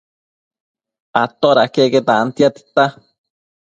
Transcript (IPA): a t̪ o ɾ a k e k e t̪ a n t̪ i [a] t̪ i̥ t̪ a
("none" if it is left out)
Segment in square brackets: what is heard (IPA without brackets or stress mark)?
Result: a